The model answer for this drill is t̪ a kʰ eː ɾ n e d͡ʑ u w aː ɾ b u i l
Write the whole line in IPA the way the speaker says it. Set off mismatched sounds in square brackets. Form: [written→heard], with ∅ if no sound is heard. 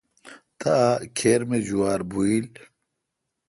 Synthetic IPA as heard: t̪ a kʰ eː ɾ [n→m] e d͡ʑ u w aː ɾ b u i l